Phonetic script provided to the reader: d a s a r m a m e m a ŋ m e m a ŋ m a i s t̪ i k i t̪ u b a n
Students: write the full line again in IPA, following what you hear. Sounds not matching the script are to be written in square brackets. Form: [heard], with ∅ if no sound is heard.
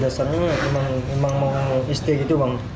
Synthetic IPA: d a s a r [ɲ] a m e m a ŋ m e m a ŋ m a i s t̪ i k i t̪ u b a [ŋ]